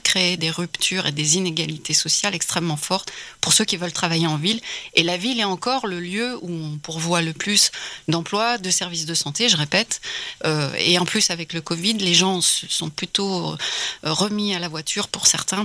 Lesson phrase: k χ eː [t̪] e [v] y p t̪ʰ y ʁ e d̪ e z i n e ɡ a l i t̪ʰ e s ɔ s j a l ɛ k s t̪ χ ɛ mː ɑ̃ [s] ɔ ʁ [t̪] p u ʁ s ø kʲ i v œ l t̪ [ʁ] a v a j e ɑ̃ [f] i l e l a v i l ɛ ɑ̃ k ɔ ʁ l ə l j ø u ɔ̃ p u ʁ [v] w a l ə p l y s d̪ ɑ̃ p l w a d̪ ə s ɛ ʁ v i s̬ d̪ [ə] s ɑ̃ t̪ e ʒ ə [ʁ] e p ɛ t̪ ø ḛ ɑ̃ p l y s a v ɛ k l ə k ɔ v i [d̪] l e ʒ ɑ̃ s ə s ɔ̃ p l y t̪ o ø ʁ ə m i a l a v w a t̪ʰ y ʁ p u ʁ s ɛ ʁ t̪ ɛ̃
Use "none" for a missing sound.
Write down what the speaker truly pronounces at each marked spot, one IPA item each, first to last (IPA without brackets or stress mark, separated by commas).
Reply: d̪, ʁ, f, t̪, χ, v, v, ə, ʁ, d̪